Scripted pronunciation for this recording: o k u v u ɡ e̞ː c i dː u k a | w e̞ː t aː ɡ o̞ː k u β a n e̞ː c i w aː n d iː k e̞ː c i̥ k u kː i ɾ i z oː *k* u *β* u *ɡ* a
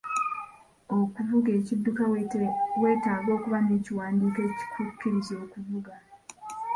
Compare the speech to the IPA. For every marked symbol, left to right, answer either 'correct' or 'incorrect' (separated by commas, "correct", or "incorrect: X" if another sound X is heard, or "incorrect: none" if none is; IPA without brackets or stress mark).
correct, incorrect: v, correct